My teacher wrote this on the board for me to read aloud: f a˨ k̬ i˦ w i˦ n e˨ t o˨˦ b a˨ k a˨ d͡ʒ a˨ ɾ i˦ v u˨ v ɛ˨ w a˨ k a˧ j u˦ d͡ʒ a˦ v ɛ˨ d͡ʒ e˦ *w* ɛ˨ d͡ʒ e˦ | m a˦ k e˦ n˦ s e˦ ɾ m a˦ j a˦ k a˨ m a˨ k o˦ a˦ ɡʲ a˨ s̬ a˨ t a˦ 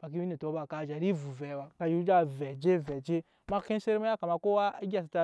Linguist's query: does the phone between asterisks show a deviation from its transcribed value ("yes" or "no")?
yes